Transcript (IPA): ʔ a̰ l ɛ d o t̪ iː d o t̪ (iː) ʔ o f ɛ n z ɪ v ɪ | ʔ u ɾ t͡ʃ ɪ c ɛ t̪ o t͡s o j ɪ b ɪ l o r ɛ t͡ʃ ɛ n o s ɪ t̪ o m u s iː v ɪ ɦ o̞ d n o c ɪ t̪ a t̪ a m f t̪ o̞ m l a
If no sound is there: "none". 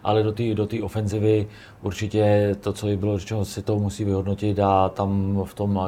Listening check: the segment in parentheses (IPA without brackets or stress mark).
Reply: iː